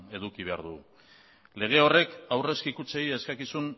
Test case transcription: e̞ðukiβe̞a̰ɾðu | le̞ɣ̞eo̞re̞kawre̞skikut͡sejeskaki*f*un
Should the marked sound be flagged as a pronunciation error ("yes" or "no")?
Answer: yes